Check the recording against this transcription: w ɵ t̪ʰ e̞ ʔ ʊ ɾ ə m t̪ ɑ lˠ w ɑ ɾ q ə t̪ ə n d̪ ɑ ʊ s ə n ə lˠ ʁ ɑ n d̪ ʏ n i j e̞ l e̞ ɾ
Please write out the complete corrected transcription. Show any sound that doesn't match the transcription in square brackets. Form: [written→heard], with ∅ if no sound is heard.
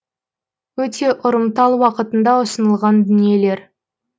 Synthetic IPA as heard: w ɵ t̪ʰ e̞ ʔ ʊ ɾ ə m t̪ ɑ lˠ w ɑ [ɾ→∅] q ə t̪ ə n d̪ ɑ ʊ s ə n ə lˠ ʁ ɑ n d̪ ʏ n i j e̞ l e̞ ɾ